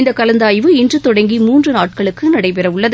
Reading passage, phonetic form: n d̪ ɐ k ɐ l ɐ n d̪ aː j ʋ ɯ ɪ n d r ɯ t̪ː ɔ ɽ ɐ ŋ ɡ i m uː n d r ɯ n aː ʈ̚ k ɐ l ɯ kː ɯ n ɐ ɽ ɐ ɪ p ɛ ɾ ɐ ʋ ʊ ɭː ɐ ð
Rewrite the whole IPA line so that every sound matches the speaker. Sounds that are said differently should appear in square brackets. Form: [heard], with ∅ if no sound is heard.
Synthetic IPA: n d̪ ɐ k ɐ l ɐ n d̪ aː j ʋ ɯ ɪ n d r ɯ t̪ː ɔ ɽ ɐ ŋ ɡ i m uː n d r ɯ n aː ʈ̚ k ɐ [ɭ] ɯ kː ɯ n ɐ ɽ ɐ ɪ p ɛ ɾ ɐ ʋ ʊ ɭː ɐ ð